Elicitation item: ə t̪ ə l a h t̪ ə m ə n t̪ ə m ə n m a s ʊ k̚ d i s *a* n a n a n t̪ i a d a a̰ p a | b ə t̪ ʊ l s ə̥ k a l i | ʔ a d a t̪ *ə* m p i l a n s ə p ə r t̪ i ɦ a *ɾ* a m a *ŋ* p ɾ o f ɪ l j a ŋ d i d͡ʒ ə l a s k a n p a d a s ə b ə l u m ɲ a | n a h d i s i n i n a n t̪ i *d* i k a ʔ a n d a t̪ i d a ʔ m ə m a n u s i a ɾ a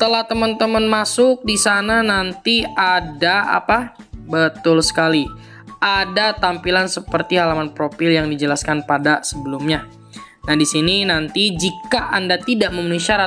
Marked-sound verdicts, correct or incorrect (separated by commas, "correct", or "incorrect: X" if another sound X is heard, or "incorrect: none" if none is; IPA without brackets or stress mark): correct, incorrect: a, incorrect: l, incorrect: n, incorrect: d͡ʒ